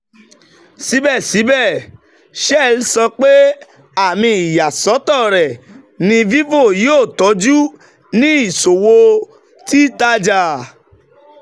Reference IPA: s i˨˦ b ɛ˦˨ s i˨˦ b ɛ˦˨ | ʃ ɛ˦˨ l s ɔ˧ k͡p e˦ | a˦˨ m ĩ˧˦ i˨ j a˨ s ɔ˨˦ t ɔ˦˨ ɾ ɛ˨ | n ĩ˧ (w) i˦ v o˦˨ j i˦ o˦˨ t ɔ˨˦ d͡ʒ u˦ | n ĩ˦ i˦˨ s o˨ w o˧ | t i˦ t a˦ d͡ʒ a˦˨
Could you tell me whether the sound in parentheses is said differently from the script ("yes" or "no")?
yes